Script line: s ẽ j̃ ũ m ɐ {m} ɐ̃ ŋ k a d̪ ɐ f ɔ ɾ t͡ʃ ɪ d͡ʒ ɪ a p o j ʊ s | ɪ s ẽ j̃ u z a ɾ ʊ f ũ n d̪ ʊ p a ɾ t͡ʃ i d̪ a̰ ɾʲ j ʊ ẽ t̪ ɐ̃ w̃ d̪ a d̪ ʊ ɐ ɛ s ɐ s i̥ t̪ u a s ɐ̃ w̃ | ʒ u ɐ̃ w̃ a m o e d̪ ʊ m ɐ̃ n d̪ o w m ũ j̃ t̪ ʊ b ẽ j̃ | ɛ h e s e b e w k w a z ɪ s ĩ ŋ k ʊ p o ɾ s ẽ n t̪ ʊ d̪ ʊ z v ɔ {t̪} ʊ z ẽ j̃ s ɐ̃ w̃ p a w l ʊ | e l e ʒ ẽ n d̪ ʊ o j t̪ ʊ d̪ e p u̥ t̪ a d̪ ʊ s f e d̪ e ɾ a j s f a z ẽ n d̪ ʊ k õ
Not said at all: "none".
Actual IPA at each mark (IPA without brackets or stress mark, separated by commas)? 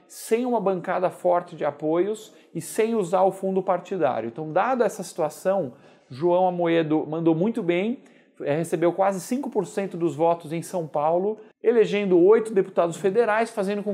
b, t̪